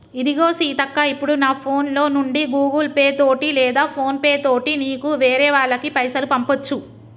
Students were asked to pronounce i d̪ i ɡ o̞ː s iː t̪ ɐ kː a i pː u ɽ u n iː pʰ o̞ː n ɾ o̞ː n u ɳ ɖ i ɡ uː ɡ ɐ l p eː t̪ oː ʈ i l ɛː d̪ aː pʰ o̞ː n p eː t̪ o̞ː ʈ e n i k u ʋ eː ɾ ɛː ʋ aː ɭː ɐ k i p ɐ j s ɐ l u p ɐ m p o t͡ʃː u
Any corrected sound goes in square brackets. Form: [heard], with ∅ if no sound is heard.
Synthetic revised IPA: i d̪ i ɡ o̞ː s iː t̪ ɐ kː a i pː u ɽ u n [aː] pʰ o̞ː n [l] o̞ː n u ɳ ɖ i ɡ uː ɡ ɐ l p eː t̪ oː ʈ i l ɛː d̪ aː pʰ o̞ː n p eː t̪ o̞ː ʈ [i] n [iː] k u ʋ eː ɾ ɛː ʋ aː ɭː ɐ k i p ɐ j s ɐ l u p ɐ m p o t͡ʃː u